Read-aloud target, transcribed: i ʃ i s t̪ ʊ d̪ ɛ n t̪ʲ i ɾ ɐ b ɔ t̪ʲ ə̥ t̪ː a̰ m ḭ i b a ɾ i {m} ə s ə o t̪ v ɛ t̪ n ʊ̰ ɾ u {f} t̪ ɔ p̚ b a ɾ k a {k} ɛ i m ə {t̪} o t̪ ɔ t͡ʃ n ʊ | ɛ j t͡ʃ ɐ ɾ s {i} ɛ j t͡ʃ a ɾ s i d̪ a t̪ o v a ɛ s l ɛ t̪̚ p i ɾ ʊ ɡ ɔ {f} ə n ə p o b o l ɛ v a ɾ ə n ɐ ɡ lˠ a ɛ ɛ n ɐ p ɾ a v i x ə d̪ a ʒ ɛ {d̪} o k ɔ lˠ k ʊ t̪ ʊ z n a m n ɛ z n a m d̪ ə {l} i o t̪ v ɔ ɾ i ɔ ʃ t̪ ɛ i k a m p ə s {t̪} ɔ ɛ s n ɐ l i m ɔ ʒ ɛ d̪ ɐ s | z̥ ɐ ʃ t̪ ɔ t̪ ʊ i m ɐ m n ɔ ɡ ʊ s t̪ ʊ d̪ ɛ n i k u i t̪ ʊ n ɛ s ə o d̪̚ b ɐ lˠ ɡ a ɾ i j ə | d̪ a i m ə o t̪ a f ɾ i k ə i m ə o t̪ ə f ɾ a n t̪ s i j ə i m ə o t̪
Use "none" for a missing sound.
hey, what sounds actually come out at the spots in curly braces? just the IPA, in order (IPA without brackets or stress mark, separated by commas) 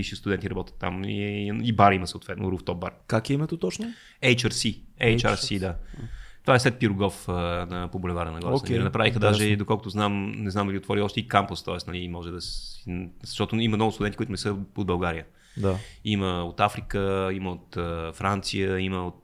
m, f, k, t̪, i, f, d̪, l, t̪